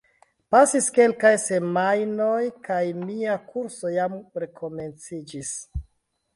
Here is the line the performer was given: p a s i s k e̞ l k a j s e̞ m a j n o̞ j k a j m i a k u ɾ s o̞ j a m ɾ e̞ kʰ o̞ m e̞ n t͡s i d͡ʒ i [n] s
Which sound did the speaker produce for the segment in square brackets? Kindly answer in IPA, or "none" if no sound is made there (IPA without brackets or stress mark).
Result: none